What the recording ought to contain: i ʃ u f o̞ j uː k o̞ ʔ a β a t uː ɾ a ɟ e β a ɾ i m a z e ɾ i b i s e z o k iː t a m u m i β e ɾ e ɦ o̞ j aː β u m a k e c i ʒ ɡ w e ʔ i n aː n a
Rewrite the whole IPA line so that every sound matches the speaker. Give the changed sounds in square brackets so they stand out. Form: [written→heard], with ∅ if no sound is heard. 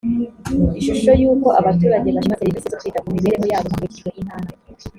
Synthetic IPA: i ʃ u [f→ʃ] o̞ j uː k o̞ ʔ a β a t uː ɾ a ɟ e β a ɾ i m a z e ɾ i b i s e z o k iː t a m u m i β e ɾ e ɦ o̞ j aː β [u→o] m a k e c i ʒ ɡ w e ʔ i n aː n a